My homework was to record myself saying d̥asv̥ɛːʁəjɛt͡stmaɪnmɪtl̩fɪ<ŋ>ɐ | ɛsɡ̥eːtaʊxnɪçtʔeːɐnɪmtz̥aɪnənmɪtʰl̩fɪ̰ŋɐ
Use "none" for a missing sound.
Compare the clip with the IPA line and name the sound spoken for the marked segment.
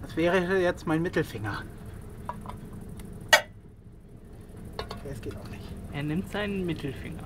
ŋ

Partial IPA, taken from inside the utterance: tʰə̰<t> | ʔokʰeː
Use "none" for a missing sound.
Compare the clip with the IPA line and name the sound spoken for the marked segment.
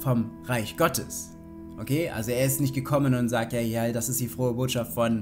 s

